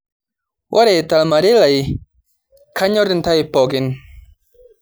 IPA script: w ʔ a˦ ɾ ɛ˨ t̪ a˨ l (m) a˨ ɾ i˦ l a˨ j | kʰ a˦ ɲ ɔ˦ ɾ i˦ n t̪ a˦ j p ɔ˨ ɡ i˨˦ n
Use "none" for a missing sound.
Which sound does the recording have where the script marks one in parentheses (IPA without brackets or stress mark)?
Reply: m